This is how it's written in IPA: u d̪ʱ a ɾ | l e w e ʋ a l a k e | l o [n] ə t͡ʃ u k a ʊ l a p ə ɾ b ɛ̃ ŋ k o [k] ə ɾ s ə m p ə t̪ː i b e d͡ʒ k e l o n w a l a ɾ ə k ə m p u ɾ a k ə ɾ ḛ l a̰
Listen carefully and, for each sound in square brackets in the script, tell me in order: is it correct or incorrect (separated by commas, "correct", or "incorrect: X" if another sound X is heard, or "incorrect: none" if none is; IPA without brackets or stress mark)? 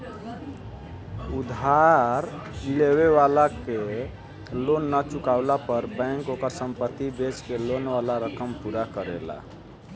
incorrect: nː, correct